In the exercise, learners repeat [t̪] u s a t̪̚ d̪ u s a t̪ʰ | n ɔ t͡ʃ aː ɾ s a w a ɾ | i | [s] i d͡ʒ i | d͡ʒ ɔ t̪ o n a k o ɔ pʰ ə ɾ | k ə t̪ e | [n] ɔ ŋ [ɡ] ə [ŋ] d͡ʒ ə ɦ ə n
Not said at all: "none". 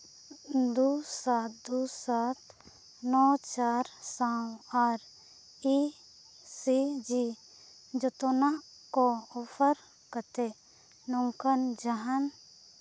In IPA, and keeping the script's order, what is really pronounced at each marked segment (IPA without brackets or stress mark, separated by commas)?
d̪, s, n, k, n